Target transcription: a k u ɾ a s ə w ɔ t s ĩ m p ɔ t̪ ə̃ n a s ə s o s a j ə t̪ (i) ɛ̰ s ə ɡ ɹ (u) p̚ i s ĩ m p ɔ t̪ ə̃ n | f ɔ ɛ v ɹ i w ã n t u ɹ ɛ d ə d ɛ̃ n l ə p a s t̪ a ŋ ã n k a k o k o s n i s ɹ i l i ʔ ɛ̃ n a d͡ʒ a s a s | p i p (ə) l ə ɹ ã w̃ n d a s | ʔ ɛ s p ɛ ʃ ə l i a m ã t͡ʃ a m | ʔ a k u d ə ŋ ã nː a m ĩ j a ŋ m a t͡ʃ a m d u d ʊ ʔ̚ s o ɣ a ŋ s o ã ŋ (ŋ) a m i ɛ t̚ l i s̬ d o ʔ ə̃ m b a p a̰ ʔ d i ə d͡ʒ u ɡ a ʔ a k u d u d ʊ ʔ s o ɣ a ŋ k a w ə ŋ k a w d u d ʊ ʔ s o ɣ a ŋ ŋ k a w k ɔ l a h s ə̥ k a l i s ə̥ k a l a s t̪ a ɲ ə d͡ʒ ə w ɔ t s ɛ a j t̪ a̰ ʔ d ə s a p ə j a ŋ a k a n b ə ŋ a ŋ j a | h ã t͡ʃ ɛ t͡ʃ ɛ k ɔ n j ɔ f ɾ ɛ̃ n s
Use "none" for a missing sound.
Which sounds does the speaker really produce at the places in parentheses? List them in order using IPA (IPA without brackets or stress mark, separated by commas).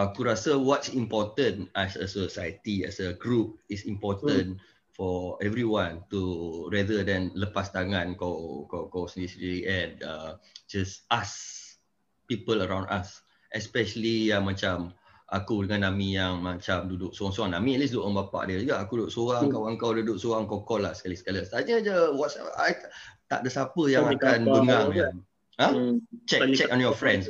i, u, ə, n